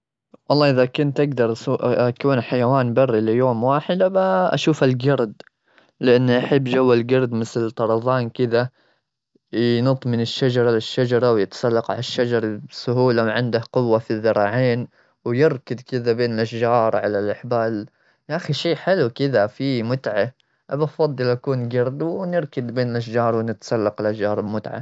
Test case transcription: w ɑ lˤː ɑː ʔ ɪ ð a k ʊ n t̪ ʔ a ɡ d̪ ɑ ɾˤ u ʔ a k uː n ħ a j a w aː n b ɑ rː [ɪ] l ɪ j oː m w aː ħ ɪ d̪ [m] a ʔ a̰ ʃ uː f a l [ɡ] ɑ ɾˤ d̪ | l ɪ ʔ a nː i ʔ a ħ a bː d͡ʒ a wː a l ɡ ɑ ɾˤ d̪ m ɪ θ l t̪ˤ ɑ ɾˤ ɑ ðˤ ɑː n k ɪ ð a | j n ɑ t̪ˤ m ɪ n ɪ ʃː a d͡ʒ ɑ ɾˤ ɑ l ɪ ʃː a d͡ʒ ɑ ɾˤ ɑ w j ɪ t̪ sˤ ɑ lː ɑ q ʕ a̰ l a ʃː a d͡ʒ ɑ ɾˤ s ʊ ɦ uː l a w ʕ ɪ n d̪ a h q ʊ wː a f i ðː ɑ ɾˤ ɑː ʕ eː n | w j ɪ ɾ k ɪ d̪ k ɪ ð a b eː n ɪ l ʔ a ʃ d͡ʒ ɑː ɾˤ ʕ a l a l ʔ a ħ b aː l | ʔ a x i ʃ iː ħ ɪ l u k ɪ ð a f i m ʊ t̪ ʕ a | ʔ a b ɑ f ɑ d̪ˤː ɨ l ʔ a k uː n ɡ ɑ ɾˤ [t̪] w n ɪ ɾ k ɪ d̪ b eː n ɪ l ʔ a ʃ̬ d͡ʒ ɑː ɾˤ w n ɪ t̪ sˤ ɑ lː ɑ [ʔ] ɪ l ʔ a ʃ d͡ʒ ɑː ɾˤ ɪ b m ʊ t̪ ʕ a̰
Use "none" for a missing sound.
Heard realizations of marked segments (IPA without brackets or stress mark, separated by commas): i, b, ɡ, d̪, q